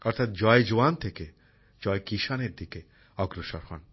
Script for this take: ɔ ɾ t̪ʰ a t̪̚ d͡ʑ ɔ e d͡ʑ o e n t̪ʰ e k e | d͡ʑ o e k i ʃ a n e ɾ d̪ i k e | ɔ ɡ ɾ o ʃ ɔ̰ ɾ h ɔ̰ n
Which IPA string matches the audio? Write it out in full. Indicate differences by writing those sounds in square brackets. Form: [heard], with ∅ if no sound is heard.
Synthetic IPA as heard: ɔ ɾ t̪ʰ a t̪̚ d͡ʑ ɔ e d͡ʑ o [a] n t̪ʰ e k e | d͡ʑ [ɔ] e k i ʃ a n e ɾ d̪ i k e | ɔ ɡ ɾ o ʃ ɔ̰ ɾ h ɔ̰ n